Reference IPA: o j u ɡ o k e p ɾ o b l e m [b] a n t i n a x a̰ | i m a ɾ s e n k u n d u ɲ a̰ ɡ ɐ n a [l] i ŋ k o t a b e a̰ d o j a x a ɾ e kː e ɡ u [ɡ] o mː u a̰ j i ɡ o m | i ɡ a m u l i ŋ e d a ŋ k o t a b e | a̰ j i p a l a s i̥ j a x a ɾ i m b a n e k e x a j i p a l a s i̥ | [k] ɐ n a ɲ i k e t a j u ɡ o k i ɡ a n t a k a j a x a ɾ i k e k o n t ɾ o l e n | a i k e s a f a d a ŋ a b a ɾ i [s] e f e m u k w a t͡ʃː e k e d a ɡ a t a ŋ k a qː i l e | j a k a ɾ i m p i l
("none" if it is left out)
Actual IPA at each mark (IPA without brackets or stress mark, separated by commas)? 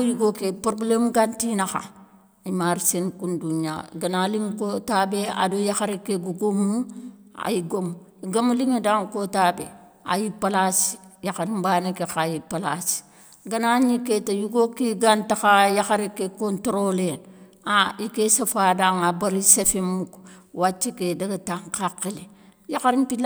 ɡ, l, ɡ, ɡ, s